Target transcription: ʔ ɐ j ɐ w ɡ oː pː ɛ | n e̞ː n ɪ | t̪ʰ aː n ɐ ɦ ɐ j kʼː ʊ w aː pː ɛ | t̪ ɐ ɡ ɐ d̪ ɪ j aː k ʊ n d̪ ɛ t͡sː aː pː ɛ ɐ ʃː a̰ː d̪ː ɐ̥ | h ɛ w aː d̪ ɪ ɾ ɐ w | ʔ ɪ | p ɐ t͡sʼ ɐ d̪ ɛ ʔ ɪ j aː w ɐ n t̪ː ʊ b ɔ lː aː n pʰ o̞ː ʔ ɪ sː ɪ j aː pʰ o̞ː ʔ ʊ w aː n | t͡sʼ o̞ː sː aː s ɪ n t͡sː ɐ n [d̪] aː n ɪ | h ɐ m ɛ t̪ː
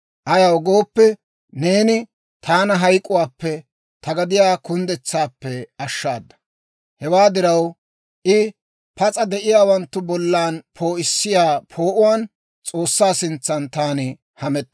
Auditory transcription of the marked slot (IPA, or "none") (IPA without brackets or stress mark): t̪